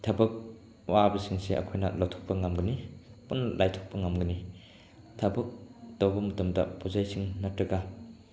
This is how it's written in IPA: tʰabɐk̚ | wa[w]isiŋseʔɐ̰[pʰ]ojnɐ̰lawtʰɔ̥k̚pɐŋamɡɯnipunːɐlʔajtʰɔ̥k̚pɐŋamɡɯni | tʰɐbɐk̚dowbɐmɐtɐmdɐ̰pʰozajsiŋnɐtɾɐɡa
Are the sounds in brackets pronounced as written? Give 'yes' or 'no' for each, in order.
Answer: no, no

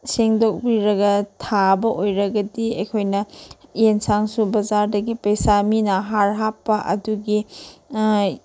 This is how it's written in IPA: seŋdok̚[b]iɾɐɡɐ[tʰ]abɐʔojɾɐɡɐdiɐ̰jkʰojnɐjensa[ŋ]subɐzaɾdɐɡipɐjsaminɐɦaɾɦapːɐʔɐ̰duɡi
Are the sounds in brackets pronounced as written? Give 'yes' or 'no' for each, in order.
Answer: yes, yes, yes

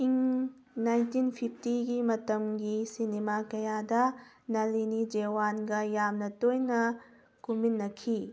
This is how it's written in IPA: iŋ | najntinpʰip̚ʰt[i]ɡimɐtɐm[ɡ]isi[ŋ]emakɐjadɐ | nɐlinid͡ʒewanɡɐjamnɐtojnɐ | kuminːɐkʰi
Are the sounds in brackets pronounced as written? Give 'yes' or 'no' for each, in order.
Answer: yes, yes, no

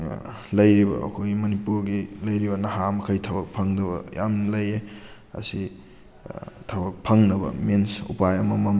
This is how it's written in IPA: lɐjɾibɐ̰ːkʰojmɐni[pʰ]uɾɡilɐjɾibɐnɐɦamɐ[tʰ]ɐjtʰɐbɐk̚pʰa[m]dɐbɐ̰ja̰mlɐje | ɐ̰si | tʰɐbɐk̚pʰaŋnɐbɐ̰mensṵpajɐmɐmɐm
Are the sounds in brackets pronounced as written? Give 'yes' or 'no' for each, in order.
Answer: no, no, no

